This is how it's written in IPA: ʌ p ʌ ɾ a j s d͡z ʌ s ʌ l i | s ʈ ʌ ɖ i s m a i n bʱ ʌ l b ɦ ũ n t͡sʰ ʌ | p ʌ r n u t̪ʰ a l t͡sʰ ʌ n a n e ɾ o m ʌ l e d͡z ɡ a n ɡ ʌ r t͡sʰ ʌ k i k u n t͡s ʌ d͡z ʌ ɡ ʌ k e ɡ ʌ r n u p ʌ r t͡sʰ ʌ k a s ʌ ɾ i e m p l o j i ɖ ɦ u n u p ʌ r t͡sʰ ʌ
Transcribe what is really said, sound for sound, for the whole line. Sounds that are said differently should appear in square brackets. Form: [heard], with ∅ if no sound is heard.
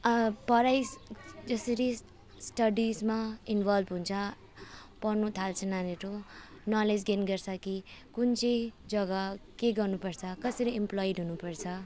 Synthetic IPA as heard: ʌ p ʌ ɾ a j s d͡z ʌ s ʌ [ɾ] i | s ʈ ʌ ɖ i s m a i n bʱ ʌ l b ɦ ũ n t͡sʰ ʌ | p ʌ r n u t̪ʰ a l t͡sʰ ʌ n a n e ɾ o [n] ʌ l e d͡z ɡ [e] n ɡ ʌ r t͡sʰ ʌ k i k u n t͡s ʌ d͡z ʌ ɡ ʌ k e ɡ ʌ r n u p ʌ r t͡sʰ ʌ k [ʌ] s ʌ ɾ i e m p l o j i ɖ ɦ u n u p ʌ r t͡sʰ ʌ